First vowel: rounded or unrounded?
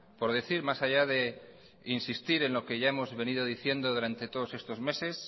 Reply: rounded